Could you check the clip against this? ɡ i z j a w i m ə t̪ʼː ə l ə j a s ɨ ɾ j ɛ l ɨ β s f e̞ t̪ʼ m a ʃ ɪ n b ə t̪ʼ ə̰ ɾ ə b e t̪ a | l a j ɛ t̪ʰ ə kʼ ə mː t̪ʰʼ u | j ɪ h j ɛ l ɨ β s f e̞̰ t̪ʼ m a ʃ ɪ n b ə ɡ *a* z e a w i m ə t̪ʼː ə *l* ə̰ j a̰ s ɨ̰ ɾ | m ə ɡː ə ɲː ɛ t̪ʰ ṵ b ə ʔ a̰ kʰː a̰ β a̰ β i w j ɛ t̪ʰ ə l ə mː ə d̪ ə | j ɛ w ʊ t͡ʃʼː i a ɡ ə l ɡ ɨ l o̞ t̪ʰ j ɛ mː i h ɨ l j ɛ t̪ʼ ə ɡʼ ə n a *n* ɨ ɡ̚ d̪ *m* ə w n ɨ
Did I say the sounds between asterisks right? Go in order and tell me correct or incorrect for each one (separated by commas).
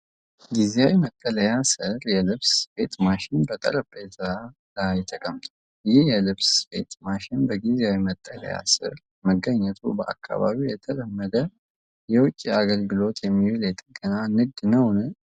incorrect, correct, correct, incorrect